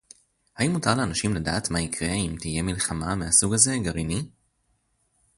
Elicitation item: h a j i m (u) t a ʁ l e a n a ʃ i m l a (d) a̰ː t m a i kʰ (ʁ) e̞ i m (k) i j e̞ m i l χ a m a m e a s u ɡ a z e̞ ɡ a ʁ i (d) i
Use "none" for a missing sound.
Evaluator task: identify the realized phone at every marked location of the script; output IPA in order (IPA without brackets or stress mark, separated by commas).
u, d, ʁ, t, n